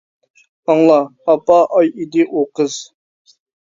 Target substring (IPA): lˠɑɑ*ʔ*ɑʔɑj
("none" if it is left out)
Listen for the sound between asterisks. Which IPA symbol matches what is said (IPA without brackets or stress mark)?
p